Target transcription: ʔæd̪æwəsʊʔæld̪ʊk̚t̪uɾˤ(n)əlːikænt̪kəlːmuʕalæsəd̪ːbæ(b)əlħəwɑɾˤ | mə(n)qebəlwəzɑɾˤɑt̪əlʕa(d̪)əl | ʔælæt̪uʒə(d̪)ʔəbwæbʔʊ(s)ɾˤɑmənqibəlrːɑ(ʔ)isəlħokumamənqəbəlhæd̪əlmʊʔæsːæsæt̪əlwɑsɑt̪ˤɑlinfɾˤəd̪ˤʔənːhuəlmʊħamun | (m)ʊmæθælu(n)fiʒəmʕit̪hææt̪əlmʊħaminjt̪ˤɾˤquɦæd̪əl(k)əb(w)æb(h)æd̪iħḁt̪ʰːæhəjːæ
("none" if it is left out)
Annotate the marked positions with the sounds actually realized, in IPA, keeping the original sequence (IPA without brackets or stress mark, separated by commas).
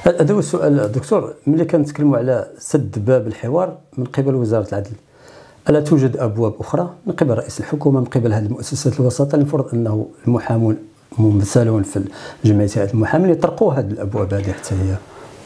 m, b, n, d̪, d̪, x, ʔ, m, n, ʔ, w, h